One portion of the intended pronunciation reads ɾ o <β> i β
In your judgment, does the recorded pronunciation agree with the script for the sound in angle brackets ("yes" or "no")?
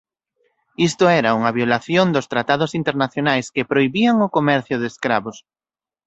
no